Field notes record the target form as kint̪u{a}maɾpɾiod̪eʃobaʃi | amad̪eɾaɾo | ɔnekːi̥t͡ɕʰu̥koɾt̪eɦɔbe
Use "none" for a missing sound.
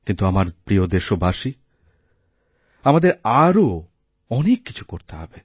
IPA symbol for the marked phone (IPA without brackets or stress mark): a